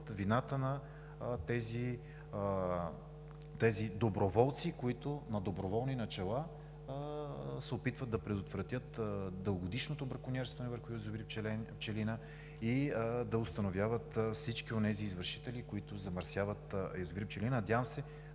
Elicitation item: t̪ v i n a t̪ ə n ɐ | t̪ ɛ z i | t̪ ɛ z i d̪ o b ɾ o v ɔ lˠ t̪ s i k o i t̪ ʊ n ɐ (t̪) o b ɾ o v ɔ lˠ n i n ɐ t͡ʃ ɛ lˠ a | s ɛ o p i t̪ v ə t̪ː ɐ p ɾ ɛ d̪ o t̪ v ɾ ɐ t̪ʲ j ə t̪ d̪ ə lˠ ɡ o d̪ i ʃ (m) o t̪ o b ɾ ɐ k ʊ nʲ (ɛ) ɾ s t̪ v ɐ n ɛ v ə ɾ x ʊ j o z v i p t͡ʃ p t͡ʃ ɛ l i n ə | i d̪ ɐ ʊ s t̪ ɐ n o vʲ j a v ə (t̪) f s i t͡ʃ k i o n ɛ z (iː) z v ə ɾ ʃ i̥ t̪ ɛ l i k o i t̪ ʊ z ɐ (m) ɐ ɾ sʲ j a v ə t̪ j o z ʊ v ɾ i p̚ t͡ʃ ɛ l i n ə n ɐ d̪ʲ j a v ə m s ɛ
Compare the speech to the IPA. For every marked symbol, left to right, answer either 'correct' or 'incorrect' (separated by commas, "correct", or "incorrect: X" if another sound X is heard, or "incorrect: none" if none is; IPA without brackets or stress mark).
incorrect: d̪, incorrect: n, correct, correct, correct, correct